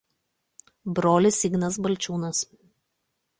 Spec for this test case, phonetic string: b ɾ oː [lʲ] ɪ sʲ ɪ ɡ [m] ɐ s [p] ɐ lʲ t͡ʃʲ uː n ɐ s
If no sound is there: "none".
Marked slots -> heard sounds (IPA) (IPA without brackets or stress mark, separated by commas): lʲ, n, b